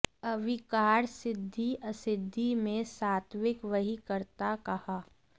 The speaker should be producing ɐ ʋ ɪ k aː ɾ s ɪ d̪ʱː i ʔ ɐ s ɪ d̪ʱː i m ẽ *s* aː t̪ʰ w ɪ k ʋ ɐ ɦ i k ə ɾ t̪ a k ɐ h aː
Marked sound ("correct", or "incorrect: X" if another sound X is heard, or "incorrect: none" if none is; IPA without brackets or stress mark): correct